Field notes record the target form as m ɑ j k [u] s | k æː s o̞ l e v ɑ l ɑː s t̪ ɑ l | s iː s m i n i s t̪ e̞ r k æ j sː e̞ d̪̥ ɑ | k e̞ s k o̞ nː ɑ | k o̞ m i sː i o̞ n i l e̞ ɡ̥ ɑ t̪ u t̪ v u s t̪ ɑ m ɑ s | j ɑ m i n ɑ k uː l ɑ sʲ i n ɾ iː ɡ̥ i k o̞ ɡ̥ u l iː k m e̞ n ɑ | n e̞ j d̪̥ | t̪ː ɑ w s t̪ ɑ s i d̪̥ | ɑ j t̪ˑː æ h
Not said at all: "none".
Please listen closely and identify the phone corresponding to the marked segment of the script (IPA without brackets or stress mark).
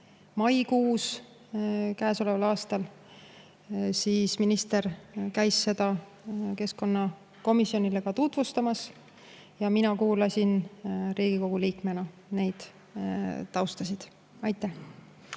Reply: uː